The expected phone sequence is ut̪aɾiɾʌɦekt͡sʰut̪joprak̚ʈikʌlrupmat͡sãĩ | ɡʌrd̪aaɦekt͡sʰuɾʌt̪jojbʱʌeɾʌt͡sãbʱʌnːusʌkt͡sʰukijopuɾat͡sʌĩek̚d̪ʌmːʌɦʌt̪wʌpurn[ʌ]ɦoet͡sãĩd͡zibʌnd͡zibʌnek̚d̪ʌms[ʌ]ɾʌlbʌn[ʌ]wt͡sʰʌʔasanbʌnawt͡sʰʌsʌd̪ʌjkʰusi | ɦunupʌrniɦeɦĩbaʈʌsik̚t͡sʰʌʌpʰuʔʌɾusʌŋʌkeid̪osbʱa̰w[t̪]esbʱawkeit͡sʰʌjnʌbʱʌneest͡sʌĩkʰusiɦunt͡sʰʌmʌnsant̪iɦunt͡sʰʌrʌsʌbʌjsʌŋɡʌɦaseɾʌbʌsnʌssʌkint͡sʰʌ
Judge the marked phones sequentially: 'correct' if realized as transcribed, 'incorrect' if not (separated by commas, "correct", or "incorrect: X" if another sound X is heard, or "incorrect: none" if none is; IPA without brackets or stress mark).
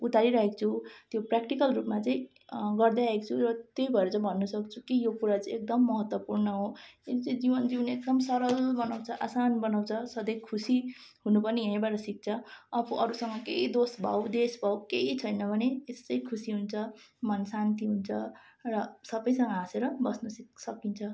correct, correct, incorrect: a, incorrect: d̪